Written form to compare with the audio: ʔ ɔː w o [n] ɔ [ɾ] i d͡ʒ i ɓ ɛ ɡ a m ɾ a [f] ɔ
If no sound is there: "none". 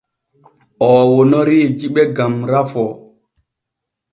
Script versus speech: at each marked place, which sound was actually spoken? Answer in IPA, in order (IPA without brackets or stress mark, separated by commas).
n, ɾ, f